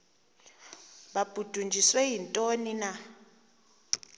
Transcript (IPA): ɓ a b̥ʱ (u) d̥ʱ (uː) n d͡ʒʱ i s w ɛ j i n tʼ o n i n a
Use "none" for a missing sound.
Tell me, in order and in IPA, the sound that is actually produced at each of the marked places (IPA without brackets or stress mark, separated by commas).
u, u